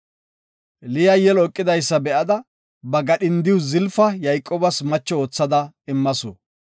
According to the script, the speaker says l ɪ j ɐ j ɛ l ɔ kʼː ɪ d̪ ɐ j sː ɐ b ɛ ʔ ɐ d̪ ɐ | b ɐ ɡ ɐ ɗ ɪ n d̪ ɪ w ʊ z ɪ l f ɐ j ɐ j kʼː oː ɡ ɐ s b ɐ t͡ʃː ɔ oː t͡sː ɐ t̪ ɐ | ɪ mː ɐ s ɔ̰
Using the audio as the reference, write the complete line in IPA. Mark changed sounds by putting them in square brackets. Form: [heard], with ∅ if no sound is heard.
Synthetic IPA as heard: l ɪ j ɐ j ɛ l ɔ kʼː ɪ d̪ ɐ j sː ɐ b ɛ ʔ ɐ d̪ ɐ | b ɐ ɡ ɐ ɗ ɪ n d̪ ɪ w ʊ z ɪ l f ɐ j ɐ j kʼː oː [b] ɐ s [m] ɐ t͡ʃː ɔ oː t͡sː ɐ [d̪] ɐ | ɪ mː ɐ s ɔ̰